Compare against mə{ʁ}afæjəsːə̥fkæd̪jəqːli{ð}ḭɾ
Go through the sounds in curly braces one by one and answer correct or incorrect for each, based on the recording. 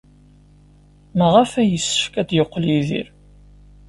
correct, correct

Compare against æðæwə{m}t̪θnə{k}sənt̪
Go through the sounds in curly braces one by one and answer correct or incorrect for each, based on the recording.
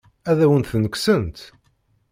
incorrect, correct

